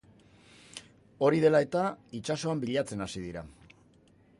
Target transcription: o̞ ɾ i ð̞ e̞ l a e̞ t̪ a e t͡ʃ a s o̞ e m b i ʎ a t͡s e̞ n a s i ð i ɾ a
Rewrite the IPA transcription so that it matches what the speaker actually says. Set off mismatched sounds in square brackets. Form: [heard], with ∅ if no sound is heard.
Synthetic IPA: o̞ ɾ i ð̞ e̞ l a e̞ t̪ a [i] t͡ʃ a s o̞ [a] m b i ʎ a t͡s e̞ n a s i ð i ɾ a